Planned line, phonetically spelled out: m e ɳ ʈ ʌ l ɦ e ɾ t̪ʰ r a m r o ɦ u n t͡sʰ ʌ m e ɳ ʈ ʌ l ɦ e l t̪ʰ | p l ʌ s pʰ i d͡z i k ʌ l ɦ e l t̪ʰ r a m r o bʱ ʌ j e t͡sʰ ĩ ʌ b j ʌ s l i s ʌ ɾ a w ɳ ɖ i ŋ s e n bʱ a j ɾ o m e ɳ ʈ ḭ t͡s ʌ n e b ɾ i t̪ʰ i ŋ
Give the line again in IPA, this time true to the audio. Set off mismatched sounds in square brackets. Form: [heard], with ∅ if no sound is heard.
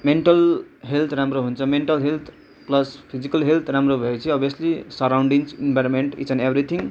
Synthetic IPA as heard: m e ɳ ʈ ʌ l ɦ e [l] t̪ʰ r a m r o ɦ u n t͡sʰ ʌ m e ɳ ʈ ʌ l ɦ e l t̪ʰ | p l ʌ s pʰ i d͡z i k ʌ l ɦ e l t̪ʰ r a m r o bʱ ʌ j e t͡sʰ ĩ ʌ b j ʌ s l i s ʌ ɾ a w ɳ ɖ i ŋ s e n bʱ a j ɾ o m e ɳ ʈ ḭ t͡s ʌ n e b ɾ i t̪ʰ i ŋ

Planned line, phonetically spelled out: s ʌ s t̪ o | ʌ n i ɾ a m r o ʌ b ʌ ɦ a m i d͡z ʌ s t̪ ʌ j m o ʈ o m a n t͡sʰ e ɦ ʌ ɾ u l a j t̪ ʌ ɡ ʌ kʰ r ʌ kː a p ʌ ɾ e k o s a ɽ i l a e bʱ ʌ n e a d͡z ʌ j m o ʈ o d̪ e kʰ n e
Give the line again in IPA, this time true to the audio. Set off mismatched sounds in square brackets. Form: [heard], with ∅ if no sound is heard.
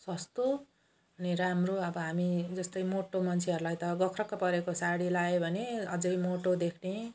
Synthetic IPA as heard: s ʌ s t̪ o | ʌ n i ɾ a m r o ʌ b ʌ ɦ a m i d͡z ʌ s t̪ ʌ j m o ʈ o m [ʌ] n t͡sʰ e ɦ ʌ ɾ u l a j t̪ ʌ ɡ ʌ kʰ r ʌ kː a p ʌ ɾ e k o s a ɽ i l a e bʱ ʌ n e [ʌ] d͡z ʌ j m o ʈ o d̪ e kʰ n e

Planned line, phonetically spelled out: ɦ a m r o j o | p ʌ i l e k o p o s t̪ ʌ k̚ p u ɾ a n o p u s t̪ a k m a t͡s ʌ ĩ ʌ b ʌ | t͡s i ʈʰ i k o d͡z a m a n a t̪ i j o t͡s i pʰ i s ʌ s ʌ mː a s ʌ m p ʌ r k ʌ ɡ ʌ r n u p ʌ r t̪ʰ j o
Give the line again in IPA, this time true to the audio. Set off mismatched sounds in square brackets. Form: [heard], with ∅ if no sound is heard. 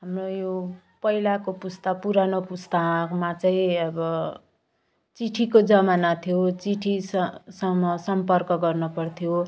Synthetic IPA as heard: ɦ a m r o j o | p ʌ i l [a] k o p [u] s t̪ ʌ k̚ p u ɾ a n o p u s t̪ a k m a t͡s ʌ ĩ ʌ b ʌ | t͡s i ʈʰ i k o d͡z [ʌ] m a n a [t̪ʰ] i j o t͡s i [ʈʰ] i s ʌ s ʌ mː [ʌ] s ʌ m p ʌ r k ʌ ɡ ʌ r n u p ʌ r t̪ʰ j o

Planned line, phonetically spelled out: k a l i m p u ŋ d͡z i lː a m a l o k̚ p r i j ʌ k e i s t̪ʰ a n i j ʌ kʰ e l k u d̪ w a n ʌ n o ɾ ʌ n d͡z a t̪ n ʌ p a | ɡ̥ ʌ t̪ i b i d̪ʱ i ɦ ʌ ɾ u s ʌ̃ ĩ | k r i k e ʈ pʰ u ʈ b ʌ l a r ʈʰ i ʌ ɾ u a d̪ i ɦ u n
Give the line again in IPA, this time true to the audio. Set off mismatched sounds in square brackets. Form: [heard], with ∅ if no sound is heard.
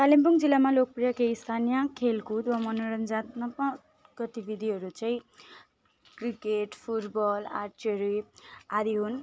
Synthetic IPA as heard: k a l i m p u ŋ d͡z i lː a m a l o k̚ p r i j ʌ k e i s t̪ʰ a n i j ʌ kʰ e l k u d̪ w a [m] ʌ n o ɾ ʌ n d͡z a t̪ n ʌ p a | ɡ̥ ʌ t̪ i b i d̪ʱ i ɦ ʌ ɾ u [t͡s] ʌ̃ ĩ | k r i k e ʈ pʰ u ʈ b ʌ l a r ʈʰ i ʌ ɾ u a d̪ i ɦ u n

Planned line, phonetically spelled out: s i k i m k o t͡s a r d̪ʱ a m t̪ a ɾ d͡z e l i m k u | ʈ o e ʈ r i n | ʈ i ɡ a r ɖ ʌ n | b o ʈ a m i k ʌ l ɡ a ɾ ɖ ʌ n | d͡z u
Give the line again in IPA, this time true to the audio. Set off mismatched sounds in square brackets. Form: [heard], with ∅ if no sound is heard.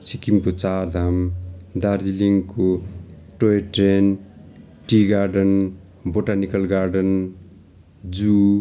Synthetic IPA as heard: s i k i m k o t͡s a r d̪ʱ a m [d̪] a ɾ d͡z [i] l i [ŋ] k [o] | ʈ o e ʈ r [e] n | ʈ i ɡ a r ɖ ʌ n | b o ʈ a [n] i k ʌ l ɡ a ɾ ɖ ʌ n | d͡z u

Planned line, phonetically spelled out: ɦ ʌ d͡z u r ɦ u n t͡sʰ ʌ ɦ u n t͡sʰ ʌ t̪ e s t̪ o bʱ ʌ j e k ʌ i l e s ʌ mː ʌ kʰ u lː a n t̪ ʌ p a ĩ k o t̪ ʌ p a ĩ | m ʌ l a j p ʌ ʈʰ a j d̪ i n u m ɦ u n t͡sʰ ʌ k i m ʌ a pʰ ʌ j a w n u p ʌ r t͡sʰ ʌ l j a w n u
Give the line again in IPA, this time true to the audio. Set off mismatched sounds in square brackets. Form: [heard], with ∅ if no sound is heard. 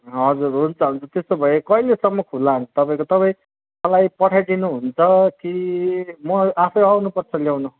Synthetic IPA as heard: ɦ ʌ d͡z u r ɦ u n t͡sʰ ʌ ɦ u n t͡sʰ ʌ t̪ e s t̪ o bʱ ʌ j e k ʌ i l e s ʌ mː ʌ kʰ u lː a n t̪ ʌ p a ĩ k o t̪ ʌ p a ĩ | m ʌ l a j p ʌ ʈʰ a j d̪ i n u [∅] ɦ u n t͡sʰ ʌ k i m ʌ a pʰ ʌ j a w n u p ʌ r t͡sʰ ʌ l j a w n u

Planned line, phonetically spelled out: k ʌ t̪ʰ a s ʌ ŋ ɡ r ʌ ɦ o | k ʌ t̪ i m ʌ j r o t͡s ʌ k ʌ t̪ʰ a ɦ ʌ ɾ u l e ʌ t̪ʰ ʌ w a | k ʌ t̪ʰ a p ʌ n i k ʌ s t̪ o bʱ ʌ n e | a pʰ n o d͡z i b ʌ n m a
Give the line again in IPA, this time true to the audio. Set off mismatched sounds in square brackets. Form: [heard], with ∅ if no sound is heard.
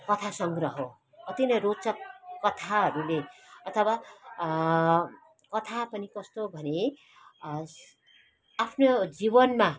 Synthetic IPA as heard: k ʌ t̪ʰ a s ʌ ŋ ɡ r ʌ ɦ o | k ʌ t̪ i [n] ʌ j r o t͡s ʌ k ʌ t̪ʰ a ɦ ʌ ɾ u l e ʌ t̪ʰ ʌ w a | k ʌ t̪ʰ a p ʌ n i k ʌ s t̪ o bʱ ʌ n e | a pʰ n o d͡z i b ʌ n m a

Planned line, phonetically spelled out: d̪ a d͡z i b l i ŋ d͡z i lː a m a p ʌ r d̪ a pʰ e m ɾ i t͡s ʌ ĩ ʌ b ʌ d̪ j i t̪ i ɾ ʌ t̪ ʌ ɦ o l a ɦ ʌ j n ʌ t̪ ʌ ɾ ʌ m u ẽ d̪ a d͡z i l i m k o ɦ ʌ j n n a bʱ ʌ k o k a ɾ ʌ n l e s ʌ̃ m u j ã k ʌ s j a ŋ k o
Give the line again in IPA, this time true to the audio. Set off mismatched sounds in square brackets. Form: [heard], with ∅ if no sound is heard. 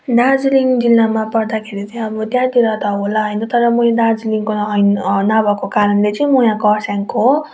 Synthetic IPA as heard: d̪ a d͡z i [∅] l i ŋ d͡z i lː a m a p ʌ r d̪ a [kʰ] e [∅] ɾ i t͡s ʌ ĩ ʌ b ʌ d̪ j [a] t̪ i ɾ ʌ t̪ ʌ ɦ o l a ɦ ʌ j n ʌ t̪ ʌ ɾ ʌ m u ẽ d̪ a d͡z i l i [ŋ] k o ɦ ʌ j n n a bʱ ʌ k o k a ɾ ʌ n l e [t͡s] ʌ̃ m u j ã k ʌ s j a ŋ k o

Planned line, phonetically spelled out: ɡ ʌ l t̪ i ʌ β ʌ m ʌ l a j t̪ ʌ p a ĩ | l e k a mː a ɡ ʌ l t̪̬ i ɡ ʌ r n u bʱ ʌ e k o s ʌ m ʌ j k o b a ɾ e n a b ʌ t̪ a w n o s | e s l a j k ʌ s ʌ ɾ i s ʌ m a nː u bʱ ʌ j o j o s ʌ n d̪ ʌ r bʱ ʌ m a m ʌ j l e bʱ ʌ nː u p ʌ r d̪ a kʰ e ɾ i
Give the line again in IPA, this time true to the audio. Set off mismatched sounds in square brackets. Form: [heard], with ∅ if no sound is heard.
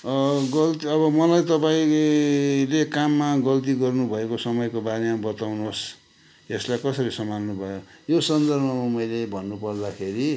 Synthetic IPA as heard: ɡ ʌ l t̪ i ʌ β ʌ m ʌ l a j t̪ ʌ p a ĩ | l e k a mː a ɡ ʌ l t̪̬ i ɡ ʌ r n u bʱ ʌ e k o s ʌ m ʌ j k o b a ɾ e [m] a b ʌ t̪ a w n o s | e s l a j k ʌ s ʌ ɾ i s ʌ m a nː u bʱ ʌ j o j o s ʌ n d̪ ʌ r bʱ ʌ m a m ʌ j l e bʱ ʌ nː u p ʌ r d̪ a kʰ e ɾ i

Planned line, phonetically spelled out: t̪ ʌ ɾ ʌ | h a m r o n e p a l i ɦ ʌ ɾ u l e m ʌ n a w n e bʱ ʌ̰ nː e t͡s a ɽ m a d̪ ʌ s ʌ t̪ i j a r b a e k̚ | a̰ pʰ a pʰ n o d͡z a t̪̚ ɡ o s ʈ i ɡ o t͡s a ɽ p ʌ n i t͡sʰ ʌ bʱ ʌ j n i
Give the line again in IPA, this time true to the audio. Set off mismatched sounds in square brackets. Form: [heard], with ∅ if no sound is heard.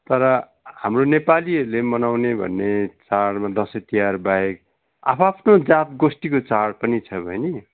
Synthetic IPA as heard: t̪ ʌ ɾ ʌ | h a m r o n e p a l i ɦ ʌ ɾ u l e m ʌ n a w n e bʱ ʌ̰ nː e t͡s a ɽ m a d̪ ʌ s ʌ t̪ i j a r b a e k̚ | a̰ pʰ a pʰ n o d͡z a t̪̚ ɡ o s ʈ i [k] o t͡s a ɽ p ʌ n i t͡sʰ ʌ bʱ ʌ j n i

